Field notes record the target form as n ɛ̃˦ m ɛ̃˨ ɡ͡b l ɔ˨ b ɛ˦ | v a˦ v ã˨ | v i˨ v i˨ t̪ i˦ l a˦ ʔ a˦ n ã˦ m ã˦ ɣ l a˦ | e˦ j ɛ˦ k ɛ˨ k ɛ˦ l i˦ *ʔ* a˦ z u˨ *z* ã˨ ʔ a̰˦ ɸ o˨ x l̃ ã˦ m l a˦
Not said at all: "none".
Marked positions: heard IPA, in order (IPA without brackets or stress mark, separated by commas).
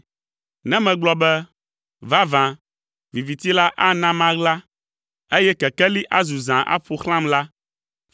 ʔ, z